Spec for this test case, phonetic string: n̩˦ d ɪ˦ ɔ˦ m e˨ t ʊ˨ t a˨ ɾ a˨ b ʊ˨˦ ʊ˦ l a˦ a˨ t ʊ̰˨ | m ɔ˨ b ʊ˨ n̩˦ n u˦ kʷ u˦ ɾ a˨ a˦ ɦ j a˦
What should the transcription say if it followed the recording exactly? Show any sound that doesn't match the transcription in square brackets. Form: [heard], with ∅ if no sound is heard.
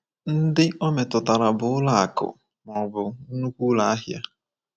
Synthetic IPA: n̩˦ d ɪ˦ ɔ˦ m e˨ t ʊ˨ t a˨ ɾ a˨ b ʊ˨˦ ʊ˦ l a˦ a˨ [k] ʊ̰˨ | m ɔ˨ b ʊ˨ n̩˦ n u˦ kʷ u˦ [l] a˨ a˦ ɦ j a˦